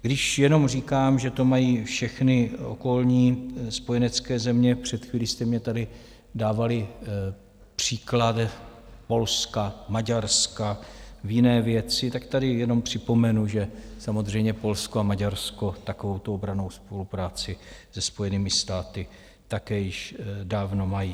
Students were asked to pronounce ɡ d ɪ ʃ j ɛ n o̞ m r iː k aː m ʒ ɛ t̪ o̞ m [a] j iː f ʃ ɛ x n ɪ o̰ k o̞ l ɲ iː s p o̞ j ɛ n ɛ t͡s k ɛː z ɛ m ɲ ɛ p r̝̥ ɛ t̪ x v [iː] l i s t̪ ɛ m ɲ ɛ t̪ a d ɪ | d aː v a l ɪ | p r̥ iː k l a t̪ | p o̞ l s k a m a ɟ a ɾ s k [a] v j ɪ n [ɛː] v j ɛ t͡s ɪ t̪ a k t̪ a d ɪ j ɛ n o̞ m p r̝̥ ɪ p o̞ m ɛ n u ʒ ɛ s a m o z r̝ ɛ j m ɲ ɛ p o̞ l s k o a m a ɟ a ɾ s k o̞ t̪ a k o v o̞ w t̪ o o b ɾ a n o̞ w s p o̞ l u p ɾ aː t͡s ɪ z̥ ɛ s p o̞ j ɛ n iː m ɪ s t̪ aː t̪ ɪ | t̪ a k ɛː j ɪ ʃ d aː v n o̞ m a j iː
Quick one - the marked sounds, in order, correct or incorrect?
correct, correct, correct, correct

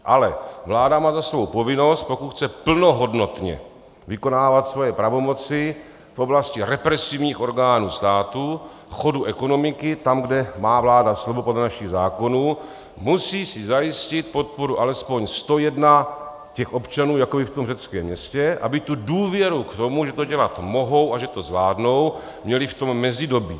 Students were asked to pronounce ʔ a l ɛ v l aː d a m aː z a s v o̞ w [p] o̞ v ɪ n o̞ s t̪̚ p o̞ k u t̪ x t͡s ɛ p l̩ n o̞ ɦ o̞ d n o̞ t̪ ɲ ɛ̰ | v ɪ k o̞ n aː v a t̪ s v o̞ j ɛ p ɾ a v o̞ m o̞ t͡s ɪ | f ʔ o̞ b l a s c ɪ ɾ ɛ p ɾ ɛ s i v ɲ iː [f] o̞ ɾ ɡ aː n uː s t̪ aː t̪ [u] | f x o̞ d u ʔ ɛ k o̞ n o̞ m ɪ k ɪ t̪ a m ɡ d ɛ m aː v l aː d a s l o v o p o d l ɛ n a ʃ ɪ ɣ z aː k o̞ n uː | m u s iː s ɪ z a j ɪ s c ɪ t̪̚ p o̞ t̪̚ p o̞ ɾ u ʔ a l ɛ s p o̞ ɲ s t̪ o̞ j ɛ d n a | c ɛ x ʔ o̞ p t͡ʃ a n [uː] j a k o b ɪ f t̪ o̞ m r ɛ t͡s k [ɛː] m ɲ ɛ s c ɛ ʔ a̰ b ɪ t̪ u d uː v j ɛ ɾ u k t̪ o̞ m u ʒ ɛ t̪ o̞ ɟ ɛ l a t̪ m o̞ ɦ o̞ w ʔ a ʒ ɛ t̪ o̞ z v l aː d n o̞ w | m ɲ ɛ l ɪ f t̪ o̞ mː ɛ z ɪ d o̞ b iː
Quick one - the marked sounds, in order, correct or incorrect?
correct, incorrect, correct, correct, correct

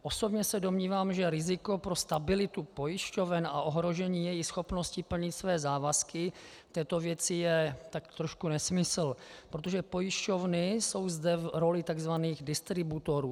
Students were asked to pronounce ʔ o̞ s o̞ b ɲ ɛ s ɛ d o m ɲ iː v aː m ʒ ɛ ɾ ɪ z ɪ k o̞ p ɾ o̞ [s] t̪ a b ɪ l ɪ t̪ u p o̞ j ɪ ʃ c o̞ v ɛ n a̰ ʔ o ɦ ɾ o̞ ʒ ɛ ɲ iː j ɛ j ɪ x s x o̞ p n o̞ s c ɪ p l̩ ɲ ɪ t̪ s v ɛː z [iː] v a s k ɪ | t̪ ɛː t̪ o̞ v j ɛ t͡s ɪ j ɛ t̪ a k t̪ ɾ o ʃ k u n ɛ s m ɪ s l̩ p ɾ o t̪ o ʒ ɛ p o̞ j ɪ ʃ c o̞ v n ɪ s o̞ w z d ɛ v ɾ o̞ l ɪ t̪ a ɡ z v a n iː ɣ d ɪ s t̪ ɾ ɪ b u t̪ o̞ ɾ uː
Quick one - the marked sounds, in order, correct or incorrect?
correct, incorrect

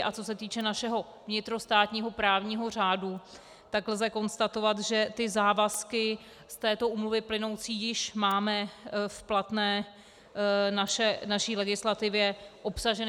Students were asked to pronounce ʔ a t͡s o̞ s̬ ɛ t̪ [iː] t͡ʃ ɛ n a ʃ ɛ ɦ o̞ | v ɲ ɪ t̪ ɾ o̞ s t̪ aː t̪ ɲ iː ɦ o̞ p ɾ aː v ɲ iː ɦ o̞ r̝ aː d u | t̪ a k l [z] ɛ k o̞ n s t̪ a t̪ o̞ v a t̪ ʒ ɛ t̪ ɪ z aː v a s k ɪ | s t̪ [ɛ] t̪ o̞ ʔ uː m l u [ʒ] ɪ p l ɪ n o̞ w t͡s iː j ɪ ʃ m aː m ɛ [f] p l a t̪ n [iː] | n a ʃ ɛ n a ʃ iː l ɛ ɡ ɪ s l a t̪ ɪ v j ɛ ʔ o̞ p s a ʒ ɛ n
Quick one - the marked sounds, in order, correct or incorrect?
correct, correct, incorrect, incorrect, correct, incorrect

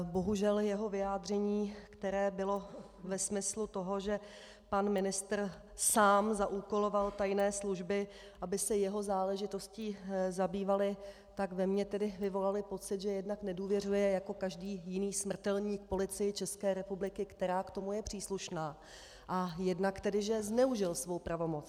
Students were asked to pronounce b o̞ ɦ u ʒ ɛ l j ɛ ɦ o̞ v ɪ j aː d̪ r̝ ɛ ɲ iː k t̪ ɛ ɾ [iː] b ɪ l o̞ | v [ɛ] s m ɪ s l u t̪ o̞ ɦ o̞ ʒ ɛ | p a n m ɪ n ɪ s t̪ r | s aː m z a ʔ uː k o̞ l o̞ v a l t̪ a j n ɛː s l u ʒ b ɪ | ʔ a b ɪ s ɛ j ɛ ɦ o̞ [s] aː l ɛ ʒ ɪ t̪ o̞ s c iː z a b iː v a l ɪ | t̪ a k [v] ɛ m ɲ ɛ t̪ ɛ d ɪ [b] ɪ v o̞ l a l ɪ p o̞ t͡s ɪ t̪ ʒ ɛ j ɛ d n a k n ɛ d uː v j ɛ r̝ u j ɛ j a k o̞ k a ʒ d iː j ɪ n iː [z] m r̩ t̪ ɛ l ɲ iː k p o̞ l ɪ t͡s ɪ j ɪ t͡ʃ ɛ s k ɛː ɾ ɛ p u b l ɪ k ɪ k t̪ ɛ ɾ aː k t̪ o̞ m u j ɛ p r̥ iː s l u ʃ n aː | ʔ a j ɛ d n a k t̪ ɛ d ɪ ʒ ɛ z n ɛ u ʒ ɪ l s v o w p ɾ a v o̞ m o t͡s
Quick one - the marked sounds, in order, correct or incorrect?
incorrect, correct, incorrect, correct, incorrect, incorrect

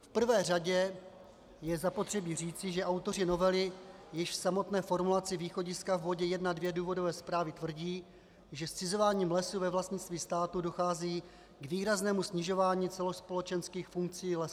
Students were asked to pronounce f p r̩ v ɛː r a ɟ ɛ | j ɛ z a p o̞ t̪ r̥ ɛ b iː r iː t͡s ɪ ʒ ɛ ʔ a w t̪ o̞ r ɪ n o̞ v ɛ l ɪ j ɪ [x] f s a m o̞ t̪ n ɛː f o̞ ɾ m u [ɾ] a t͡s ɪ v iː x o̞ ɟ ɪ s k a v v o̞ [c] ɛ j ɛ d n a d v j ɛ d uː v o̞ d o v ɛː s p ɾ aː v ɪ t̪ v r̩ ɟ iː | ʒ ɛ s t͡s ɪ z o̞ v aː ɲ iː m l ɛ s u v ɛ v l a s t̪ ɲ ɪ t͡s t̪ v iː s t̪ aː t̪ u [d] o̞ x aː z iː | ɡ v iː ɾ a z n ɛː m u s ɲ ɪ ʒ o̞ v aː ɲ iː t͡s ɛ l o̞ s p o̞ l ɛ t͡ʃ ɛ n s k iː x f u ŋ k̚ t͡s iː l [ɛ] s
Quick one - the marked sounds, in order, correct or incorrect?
incorrect, incorrect, incorrect, correct, correct

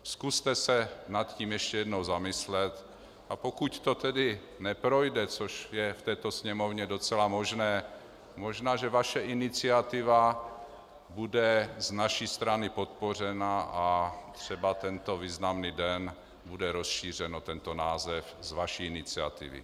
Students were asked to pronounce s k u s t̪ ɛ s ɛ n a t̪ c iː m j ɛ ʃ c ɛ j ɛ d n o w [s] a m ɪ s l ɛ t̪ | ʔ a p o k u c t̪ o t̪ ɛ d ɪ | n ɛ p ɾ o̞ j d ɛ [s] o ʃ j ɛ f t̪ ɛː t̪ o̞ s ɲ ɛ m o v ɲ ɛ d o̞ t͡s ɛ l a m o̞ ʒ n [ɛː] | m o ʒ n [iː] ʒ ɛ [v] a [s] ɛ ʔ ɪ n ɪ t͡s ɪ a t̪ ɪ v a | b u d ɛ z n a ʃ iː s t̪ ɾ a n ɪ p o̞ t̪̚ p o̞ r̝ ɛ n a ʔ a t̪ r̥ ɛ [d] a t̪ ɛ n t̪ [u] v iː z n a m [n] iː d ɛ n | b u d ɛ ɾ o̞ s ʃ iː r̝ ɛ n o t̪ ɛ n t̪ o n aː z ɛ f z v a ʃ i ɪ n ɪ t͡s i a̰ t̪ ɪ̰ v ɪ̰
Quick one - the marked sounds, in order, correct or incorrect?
incorrect, incorrect, correct, incorrect, correct, incorrect, incorrect, incorrect, correct

